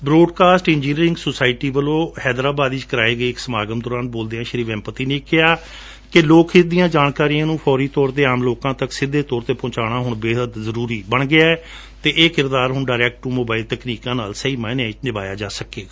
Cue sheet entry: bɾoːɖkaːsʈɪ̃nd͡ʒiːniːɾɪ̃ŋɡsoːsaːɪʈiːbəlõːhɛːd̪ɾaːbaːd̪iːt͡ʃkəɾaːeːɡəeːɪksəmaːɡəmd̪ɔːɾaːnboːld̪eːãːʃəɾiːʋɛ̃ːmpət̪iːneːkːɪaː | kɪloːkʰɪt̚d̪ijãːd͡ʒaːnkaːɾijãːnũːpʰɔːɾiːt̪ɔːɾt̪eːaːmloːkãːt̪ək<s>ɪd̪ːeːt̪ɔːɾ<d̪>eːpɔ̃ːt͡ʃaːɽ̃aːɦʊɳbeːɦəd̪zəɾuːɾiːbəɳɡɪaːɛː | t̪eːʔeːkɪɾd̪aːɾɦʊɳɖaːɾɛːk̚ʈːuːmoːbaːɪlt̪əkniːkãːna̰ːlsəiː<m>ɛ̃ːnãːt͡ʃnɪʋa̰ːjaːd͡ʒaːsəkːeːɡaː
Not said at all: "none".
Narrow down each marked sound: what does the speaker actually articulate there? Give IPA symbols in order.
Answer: s, t̪, m

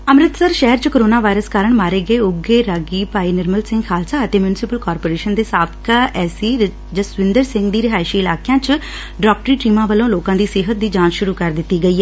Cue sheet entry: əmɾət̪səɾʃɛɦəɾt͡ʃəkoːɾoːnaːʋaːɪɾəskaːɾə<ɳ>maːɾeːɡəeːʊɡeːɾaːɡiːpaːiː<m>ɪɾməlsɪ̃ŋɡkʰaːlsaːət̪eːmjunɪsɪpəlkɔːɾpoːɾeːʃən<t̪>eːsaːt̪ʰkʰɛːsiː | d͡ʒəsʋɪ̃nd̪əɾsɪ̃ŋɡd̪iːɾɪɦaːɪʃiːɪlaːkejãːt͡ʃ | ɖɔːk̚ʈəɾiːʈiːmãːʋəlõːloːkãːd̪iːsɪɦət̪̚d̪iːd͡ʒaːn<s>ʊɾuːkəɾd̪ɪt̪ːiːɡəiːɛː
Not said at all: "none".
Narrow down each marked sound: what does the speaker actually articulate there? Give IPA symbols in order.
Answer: ɳ, n, d̪, ʃ

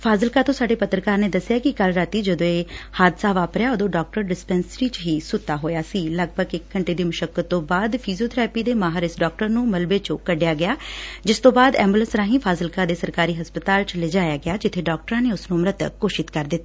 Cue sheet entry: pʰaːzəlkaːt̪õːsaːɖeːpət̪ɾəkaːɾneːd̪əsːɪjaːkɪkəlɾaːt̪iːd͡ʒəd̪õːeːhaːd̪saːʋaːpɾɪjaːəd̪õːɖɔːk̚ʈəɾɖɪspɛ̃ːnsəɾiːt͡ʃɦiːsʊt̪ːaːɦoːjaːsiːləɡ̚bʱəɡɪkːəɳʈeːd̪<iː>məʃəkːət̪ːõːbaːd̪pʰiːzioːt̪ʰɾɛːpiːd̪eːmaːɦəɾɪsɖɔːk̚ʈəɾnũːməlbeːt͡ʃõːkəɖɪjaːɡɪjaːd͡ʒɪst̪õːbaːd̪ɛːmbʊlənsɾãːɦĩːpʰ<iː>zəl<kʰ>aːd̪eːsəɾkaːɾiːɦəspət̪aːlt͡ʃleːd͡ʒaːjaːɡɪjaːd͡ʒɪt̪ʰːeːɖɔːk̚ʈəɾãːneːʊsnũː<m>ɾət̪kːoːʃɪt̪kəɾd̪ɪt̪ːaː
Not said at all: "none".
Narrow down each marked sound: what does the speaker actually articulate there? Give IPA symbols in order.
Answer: iː, aː, k, m

